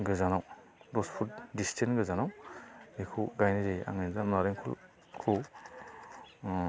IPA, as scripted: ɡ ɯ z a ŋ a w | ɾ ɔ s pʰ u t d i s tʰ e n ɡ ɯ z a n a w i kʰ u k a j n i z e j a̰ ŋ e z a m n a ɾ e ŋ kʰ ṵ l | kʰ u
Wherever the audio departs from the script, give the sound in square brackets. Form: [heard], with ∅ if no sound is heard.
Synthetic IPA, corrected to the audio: ɡ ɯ z a [n] a w | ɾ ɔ s pʰ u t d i s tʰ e n ɡ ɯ z a n a w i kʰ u [ɡ] a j n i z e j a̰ ŋ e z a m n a ɾ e ŋ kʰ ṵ l | kʰ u